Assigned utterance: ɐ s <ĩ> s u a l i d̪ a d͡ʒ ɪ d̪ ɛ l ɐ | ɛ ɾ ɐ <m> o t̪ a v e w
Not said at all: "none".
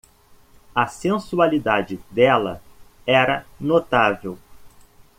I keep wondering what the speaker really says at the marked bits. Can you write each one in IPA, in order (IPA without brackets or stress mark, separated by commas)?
ẽ, n